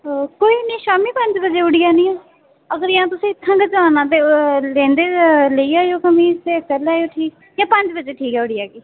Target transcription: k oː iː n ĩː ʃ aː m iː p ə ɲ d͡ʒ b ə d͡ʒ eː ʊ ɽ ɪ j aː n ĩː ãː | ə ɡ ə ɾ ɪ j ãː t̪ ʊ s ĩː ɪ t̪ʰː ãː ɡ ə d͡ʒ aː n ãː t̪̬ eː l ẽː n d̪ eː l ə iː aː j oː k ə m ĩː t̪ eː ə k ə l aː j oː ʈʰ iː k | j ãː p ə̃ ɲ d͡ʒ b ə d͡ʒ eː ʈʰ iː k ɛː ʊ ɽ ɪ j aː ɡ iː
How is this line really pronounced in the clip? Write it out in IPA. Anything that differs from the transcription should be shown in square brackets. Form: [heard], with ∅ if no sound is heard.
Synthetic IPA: k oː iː n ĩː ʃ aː m iː p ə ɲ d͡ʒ b ə d͡ʒ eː ʊ ɽ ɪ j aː n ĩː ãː | ə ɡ ə ɾ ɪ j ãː t̪ ʊ s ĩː ɪ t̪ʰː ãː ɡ ə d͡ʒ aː n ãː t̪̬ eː l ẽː n d̪ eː l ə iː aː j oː k ə m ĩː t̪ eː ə k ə l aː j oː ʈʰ iː k | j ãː p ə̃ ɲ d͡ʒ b ə d͡ʒ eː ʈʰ iː k ɛː ʊ ɽ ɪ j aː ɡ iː